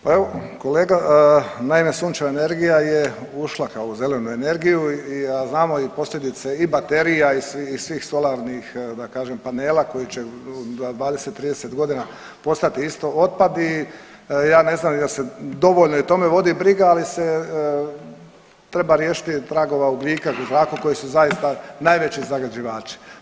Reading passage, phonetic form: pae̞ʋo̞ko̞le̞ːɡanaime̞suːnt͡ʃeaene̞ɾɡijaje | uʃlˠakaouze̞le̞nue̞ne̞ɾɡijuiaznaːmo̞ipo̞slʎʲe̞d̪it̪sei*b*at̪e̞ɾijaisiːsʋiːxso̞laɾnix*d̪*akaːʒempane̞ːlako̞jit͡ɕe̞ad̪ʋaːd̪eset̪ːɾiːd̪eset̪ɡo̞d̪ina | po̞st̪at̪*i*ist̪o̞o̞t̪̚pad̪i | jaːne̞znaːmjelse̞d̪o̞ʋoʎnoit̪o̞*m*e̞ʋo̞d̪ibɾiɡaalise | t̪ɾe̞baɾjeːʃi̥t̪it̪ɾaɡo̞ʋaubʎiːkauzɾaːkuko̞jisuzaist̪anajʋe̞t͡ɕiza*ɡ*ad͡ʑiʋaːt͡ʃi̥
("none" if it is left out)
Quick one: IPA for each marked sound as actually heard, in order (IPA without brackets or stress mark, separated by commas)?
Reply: b, d̪, i, m, ɡ